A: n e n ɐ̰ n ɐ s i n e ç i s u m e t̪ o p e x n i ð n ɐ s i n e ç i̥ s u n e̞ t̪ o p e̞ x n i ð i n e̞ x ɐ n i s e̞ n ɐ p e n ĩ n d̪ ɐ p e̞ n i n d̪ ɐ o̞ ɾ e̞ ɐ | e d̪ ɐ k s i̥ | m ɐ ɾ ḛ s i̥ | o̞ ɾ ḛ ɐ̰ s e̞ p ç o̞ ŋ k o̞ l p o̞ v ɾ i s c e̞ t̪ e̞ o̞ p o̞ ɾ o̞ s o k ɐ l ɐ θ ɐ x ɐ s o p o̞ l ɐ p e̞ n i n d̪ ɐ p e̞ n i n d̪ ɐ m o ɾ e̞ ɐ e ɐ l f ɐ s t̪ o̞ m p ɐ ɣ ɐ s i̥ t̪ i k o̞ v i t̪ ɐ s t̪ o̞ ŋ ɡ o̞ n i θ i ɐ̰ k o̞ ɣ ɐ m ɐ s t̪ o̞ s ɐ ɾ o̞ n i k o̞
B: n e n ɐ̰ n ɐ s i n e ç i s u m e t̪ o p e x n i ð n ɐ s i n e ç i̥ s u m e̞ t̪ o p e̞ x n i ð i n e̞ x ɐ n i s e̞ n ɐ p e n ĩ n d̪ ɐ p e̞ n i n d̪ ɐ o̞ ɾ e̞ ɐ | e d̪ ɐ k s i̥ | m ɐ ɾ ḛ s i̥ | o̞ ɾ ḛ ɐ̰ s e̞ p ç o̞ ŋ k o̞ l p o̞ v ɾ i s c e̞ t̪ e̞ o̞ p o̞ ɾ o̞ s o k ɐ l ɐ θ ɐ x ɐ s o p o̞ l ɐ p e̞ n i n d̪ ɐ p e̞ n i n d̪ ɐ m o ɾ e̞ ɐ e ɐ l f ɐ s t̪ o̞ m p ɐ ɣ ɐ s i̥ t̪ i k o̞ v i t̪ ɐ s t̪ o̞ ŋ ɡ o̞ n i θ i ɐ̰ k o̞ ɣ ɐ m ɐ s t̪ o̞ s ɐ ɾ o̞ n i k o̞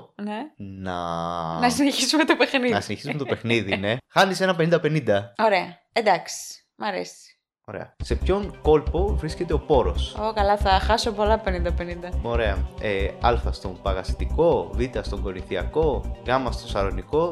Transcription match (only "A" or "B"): B